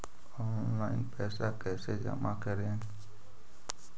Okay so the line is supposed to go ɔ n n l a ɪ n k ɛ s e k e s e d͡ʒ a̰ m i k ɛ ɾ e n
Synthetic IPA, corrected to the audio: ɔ n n l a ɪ n p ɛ s a k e s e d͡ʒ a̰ m a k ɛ ɾ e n

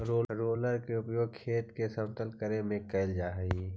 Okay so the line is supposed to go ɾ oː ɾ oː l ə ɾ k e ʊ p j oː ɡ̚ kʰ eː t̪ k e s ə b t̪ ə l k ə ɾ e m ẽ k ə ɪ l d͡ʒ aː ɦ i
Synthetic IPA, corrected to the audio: ɾ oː ɾ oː l ə ɾ k e ʊ p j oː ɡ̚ kʰ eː t̪ k e s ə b t̪ ə l k ə ɾ e m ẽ k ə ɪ l d͡ʒ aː ɦ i

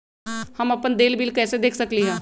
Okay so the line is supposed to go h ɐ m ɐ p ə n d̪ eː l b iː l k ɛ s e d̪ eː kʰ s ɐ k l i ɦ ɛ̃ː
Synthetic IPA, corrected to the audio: h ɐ m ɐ p ə n d̪ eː l b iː l k ɛː s e d̪ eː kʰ s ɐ k l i ɦ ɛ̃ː

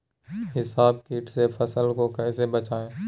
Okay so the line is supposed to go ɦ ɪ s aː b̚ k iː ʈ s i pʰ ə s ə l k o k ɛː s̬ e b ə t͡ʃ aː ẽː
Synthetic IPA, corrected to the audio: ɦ ɪ s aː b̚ k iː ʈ s e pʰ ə s ə l k o k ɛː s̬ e b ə t͡ʃ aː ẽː

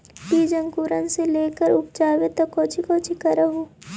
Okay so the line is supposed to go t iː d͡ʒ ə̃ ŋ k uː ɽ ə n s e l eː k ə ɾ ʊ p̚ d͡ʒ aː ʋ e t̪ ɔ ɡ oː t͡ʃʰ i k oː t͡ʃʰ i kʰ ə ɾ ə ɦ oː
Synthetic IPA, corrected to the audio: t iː d͡ʒ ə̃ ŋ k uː ɾ ə n s e l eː k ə ɾ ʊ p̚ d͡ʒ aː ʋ e t̪ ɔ k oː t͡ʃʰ i k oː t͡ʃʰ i k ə ɾ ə ɦ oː

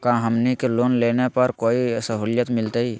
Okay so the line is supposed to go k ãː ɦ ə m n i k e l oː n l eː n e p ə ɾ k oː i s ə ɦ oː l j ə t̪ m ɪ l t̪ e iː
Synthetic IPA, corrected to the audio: k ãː ɦ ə m n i k e l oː n l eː n e p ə ɾ k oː i s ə ɦ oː l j ə t̪ m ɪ l t̪ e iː

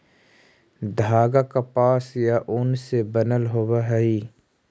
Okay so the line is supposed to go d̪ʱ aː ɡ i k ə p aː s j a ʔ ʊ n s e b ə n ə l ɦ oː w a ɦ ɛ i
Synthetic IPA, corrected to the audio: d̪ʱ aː ɡ a k a p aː s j a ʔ ʊ n s e b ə n ə l ɦ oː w a ɦ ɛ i

